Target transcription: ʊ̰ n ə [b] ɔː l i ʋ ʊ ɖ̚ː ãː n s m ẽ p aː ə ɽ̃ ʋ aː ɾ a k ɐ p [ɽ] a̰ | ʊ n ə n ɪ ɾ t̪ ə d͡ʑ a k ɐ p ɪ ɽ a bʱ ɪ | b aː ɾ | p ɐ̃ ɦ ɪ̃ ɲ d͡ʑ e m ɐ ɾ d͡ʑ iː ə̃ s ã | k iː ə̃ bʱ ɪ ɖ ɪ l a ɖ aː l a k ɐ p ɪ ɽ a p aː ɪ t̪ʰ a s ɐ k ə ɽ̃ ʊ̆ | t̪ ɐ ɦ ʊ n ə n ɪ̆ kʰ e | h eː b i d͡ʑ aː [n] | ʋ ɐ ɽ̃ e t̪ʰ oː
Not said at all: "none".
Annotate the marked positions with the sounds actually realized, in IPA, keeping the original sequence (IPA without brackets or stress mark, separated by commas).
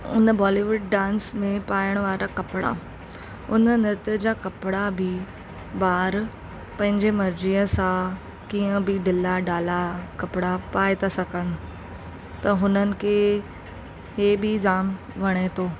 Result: b, ɽ, m